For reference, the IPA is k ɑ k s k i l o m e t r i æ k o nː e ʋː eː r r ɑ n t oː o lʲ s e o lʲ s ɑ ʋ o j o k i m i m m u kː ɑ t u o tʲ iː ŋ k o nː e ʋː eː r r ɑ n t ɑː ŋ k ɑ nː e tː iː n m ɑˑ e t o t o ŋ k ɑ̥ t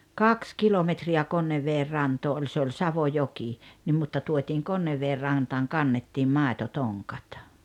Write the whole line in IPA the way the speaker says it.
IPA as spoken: k ɑ k s k i l o m e t r i æ k o nː e ʋː eː r r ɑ n t oː o lʲ s e o lʲ s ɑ ʋ o j o k i n i m m u tː ɑ t u o tʲ iː ŋ k o nː e ʋː eː r r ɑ n t ɑː ŋ k ɑ nː e tː iː m m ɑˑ e t o t o ŋ k ɑ̥ t